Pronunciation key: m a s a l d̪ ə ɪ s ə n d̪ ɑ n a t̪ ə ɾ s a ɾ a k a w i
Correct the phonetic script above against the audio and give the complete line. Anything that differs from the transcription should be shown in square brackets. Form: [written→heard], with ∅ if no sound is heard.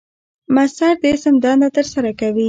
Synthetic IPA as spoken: m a s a [l→ɾ] d̪ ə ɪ s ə [n→m] d̪ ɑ n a t̪ ə ɾ s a ɾ a k a w i